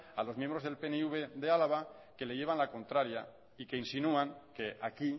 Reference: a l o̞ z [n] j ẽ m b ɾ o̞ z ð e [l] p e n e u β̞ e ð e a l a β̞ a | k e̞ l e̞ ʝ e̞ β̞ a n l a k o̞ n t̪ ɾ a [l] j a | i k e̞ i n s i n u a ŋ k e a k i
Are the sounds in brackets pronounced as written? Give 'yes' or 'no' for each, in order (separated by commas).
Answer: no, yes, no